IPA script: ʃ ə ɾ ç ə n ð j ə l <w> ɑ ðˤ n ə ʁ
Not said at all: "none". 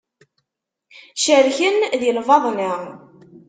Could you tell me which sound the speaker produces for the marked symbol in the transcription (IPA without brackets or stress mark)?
v